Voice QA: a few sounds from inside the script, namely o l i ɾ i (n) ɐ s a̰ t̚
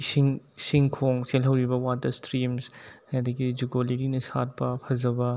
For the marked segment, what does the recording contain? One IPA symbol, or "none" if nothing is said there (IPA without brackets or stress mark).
n